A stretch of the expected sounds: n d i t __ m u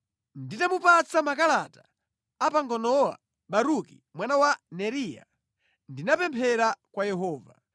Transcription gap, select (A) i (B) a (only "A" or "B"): B